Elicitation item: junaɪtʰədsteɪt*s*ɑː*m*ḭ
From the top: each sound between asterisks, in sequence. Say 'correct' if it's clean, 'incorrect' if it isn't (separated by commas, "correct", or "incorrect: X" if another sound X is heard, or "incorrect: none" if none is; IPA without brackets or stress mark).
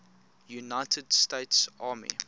correct, correct